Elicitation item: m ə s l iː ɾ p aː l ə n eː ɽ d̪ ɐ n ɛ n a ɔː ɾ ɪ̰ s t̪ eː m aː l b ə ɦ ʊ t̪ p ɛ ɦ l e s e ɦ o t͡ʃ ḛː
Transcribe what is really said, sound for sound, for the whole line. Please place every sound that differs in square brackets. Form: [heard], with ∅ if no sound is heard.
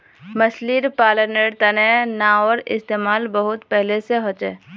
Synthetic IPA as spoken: m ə s l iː ɾ p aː l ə n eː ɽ [t̪] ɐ n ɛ n a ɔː ɾ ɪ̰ s t̪ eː m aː l b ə ɦ ʊ t̪ p ɛ ɦ l e s e ɦ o t͡ʃ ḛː